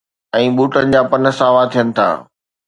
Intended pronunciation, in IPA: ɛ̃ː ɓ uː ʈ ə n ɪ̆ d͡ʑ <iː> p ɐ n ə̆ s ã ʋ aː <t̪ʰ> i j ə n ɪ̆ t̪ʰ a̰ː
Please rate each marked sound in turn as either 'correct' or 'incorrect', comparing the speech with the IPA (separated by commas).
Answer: incorrect, correct